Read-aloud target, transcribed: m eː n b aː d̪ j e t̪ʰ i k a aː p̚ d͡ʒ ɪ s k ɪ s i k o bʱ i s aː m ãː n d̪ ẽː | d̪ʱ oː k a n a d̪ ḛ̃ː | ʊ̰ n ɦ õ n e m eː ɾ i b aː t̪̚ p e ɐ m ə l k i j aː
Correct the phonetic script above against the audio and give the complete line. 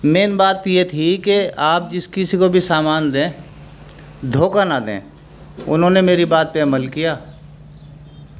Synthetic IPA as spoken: m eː n b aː t̪ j e t̪ʰ i k e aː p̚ d͡ʒ ɪ s k ɪ s i k o bʱ i s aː m aː n d̪ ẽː | d̪ʱ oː k a n a d̪ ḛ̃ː | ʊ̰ n ɦ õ n e m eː ɾ i b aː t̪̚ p e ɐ m ə l k i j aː